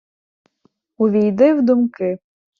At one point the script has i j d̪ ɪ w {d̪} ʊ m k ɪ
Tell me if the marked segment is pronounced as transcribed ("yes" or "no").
yes